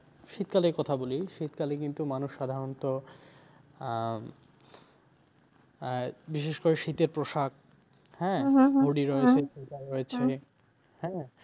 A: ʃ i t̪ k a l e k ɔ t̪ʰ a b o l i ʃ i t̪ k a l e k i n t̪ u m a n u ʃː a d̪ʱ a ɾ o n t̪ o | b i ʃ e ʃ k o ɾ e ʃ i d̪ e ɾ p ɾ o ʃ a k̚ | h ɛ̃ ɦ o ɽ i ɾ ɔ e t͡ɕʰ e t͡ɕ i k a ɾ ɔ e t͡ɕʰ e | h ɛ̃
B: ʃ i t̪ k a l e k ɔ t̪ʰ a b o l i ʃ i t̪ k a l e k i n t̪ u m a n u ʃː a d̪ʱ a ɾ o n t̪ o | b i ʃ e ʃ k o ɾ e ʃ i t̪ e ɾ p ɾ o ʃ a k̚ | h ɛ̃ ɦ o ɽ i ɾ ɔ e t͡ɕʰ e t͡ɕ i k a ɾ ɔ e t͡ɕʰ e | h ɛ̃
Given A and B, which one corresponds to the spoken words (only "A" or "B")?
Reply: B